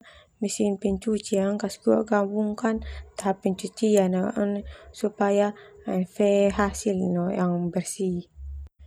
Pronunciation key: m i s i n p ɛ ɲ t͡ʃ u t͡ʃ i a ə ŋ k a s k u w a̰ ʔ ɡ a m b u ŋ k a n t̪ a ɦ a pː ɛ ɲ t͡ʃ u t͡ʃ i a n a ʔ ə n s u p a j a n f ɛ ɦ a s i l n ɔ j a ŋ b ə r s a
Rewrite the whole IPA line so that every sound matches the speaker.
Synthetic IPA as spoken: m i s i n p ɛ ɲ t͡ʃ u t͡ʃ i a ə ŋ k a s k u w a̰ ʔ ɡ a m b u ŋ k a n t̪ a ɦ a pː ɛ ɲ t͡ʃ u t͡ʃ i a n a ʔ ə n s u p a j a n f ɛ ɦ a s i l n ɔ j a ŋ b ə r s i